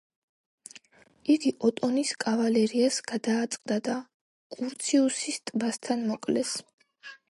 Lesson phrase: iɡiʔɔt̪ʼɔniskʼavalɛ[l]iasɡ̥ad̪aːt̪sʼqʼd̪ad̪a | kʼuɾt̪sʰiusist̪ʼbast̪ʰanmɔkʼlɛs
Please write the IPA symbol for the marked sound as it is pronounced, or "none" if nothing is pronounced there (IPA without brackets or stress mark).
ɾ